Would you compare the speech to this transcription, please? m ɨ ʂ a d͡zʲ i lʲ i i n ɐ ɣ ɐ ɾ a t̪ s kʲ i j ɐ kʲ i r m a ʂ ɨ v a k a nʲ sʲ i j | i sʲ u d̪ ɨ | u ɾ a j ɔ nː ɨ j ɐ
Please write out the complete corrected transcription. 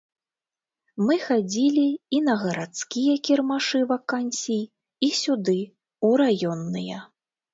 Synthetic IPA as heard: m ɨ x a d͡zʲ i lʲ i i n ɐ ɣ ɐ ɾ a t̪ s kʲ i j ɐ kʲ i r m a ʂ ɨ v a k a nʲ sʲ i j | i sʲ u d̪ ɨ | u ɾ a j ɔ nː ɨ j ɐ